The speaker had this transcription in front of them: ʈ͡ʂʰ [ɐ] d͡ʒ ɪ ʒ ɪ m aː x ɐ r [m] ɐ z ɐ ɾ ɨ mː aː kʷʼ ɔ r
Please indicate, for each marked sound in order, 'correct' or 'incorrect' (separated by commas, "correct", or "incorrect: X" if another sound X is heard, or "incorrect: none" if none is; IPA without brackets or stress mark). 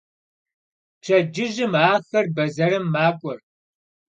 correct, incorrect: b